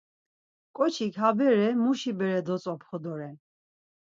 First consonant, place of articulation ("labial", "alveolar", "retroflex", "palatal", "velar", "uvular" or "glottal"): velar